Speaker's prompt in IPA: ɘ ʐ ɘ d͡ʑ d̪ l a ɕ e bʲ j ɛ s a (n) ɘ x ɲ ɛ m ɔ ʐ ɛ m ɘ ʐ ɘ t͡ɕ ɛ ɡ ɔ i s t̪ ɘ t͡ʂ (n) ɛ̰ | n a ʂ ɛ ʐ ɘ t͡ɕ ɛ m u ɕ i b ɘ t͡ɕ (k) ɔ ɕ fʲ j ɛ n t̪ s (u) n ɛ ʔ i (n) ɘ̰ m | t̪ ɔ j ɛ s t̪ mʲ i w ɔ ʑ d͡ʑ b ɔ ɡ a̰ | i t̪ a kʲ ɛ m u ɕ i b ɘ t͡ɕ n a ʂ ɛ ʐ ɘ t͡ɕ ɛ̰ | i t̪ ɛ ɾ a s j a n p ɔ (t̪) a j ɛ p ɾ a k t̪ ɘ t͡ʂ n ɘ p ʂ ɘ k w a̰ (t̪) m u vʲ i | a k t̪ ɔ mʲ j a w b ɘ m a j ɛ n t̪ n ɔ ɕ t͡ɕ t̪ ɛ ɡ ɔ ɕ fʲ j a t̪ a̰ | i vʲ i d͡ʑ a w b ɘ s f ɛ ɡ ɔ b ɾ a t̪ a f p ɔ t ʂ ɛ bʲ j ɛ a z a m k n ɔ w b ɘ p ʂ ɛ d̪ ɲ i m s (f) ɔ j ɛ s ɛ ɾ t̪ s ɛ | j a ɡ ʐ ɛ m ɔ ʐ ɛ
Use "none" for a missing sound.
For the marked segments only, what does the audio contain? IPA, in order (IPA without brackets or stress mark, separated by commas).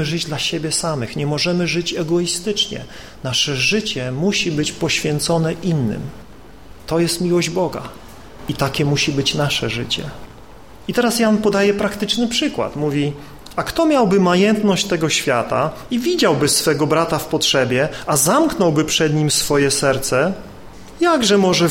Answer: m, ɲ, p, ɔ, nː, d̪, t̪, f